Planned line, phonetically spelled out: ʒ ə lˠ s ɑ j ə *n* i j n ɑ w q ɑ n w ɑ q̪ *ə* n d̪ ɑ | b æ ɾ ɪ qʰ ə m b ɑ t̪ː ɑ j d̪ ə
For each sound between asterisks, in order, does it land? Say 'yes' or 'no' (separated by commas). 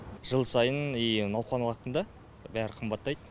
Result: yes, yes